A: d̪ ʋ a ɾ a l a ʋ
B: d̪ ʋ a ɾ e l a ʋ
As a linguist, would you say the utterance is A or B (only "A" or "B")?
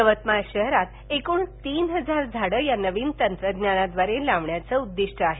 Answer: B